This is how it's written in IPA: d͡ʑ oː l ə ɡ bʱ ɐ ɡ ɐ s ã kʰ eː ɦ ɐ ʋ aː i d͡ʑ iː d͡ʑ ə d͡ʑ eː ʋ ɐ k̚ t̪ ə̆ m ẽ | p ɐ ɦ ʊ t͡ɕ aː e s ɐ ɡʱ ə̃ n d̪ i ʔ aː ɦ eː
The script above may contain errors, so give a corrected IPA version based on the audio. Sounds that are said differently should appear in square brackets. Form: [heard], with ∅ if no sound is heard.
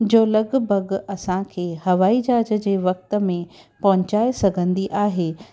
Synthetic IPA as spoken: d͡ʑ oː l [ɐ] ɡ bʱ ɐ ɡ ɐ s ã kʰ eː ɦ ɐ ʋ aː i d͡ʑ [aː] d͡ʑ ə d͡ʑ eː ʋ ɐ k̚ t̪ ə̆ m ẽ | p ɐ ɦ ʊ t͡ɕ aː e s ɐ ɡʱ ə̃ n d̪ i ʔ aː ɦ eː